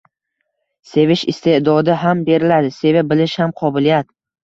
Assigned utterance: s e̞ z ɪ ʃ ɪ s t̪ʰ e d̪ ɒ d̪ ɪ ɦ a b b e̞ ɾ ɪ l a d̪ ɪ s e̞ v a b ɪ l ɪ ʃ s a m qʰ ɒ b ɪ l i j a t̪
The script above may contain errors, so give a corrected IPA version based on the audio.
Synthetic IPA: s e̞ v ɪ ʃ ɪ s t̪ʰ e d̪ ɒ d̪ ɪ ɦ a m b e̞ ɾ ɪ l a d̪ ɪ s e̞ v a b ɪ l ɪ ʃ h a m qʰ ɒ b ɪ l i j a t̪